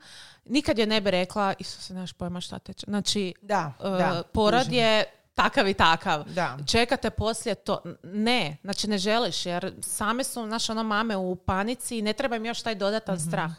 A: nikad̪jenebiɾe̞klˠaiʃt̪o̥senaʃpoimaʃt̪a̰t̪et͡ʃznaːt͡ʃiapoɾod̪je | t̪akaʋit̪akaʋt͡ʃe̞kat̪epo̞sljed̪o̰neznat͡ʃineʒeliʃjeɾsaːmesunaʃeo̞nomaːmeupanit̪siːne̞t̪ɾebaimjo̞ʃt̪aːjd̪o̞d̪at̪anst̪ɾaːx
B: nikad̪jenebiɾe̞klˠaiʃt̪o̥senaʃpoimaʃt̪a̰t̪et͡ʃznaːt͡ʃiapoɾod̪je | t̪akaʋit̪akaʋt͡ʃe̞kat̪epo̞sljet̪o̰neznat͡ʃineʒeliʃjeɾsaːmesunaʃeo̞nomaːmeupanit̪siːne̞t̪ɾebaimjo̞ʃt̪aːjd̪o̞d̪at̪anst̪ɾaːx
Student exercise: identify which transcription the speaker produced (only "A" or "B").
B